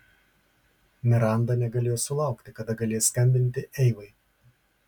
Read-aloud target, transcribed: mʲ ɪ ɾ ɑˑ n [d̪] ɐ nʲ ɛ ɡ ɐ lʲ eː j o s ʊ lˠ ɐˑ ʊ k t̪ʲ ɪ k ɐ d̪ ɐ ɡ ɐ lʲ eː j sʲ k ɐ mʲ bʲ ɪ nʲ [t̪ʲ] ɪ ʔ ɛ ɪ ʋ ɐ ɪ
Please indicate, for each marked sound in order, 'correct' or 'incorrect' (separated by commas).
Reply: correct, correct